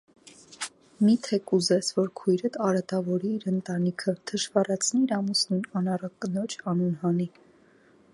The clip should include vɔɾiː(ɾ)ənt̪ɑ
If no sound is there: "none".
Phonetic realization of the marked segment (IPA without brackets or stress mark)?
ɾ